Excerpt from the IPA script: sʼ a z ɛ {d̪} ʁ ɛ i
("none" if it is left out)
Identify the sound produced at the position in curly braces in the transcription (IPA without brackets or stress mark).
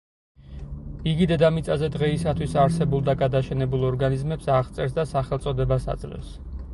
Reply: d̪